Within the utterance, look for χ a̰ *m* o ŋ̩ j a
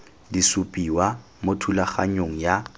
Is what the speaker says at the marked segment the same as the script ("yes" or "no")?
no